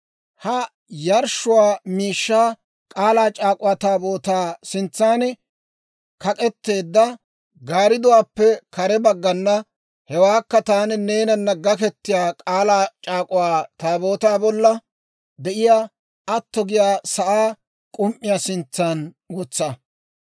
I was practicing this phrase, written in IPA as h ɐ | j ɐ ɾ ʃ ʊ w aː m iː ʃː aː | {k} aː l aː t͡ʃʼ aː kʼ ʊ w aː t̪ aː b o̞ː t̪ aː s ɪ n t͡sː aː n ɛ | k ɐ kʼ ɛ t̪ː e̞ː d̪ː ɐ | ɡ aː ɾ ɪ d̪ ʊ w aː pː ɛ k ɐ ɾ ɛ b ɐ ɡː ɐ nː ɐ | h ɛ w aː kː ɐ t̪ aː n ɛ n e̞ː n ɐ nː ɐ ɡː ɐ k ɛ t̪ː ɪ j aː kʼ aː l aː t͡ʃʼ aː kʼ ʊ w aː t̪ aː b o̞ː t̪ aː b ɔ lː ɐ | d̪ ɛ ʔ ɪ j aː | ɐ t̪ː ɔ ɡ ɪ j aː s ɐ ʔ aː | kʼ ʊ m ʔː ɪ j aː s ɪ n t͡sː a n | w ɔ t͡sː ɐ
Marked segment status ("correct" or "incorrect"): incorrect